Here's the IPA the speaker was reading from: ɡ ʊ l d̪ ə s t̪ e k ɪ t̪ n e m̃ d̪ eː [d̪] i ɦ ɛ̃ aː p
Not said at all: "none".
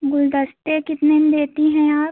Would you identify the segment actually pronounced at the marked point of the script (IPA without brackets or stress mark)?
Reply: t̪